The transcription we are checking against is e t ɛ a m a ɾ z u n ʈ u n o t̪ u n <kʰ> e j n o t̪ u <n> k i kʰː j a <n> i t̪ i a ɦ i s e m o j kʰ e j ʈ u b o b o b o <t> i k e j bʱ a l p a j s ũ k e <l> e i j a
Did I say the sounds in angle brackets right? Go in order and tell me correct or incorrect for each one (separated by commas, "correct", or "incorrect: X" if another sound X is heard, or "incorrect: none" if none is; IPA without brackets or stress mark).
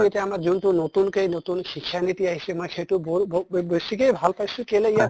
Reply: incorrect: k, correct, correct, incorrect: s, correct